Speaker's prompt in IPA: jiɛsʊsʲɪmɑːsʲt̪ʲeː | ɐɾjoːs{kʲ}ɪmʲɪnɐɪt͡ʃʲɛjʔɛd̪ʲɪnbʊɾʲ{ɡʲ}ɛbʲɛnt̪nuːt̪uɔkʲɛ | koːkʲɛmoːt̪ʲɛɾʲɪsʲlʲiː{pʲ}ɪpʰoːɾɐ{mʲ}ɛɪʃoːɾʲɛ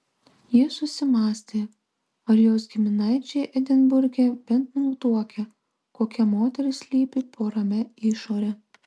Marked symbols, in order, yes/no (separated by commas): no, yes, yes, yes